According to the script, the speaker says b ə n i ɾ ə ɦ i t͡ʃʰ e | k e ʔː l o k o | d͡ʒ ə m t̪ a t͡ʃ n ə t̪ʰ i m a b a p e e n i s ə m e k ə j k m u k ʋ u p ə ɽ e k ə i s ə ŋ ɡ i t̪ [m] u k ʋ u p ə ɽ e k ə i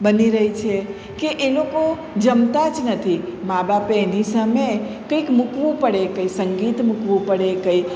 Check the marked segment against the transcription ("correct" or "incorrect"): correct